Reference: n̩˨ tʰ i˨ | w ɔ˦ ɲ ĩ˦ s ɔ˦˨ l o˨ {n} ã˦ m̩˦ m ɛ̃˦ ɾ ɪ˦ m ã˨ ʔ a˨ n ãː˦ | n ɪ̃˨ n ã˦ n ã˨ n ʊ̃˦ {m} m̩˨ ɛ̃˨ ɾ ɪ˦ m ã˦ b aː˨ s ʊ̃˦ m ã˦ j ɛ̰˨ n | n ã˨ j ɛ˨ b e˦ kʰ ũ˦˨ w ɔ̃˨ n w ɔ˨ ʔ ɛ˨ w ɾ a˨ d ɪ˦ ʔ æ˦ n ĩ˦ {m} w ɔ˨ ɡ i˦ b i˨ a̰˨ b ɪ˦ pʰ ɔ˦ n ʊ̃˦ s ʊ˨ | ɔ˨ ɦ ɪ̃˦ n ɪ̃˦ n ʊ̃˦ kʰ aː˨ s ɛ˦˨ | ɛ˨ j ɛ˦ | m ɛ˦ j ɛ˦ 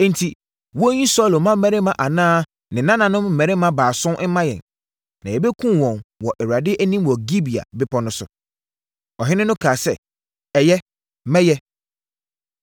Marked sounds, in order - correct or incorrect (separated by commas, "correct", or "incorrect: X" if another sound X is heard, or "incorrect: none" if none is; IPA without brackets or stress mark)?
incorrect: m, correct, correct